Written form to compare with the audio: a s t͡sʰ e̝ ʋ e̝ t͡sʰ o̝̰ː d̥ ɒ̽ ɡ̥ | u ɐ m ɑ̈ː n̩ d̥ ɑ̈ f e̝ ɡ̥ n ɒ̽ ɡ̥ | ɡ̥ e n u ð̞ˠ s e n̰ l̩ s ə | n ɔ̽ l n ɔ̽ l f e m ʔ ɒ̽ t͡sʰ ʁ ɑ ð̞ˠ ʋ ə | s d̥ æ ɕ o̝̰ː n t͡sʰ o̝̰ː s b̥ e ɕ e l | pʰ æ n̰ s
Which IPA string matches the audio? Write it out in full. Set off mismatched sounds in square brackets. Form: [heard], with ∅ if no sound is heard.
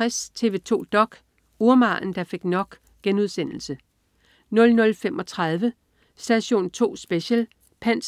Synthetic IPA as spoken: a s t͡sʰ e̝ ʋ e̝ t͡sʰ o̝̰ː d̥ ɒ̽ ɡ̥ | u ɐ m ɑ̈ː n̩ d̥ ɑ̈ f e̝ ɡ̥ n ɒ̽ ɡ̥ | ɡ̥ e n u ð̞ˠ s e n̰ l̩ s ə | n ɔ̽ l n ɔ̽ l f e m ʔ ɒ̽ t͡sʰ ʁ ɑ ð̞ˠ ʋ ə | s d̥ æ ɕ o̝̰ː n t͡sʰ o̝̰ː s b̥ e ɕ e l | pʰ æ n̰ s